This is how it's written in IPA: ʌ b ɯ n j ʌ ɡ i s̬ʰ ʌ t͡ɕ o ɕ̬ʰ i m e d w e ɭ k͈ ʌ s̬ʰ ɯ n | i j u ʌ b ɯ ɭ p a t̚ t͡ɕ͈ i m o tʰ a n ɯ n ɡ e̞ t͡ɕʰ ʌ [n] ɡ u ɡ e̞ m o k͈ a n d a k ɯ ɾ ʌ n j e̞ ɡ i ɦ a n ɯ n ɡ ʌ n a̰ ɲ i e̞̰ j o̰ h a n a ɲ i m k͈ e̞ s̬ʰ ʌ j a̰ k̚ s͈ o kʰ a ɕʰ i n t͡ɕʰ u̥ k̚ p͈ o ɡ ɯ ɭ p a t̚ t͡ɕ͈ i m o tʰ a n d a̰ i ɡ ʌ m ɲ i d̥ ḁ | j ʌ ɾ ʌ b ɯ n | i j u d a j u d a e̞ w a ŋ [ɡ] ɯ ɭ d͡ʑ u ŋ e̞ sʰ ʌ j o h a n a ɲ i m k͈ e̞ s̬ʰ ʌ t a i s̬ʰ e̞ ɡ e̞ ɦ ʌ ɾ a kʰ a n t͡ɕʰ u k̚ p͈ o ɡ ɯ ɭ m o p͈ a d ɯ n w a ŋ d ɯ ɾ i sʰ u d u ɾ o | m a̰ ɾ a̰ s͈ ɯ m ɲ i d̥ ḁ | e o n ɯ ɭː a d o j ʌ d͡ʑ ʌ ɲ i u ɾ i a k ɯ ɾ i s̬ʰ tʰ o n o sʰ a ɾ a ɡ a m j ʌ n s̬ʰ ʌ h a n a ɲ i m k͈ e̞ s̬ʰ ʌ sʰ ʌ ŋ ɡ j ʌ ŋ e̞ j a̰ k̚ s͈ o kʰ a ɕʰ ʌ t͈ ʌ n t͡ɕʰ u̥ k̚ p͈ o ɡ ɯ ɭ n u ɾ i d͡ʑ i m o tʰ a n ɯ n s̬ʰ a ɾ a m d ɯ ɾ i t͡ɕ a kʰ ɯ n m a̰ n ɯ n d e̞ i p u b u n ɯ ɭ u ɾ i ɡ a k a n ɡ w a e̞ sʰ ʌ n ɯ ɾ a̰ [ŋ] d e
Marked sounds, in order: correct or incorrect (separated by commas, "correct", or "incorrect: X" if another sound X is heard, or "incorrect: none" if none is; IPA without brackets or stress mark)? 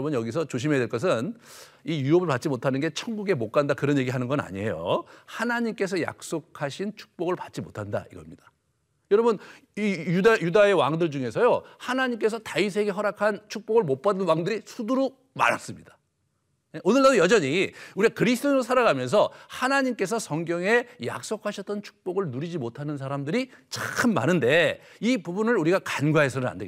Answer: incorrect: ŋ, incorrect: d, incorrect: n